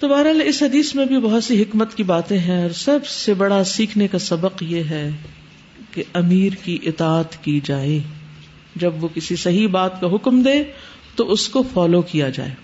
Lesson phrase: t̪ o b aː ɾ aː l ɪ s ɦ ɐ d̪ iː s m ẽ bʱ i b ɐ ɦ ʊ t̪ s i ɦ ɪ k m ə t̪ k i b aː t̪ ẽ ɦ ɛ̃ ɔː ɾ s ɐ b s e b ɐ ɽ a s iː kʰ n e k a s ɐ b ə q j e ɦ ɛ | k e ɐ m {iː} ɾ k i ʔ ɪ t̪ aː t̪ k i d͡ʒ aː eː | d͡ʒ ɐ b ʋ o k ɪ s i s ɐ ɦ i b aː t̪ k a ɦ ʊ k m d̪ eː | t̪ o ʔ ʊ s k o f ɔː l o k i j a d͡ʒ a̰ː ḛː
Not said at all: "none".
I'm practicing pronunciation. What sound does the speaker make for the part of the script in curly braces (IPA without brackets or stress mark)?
iː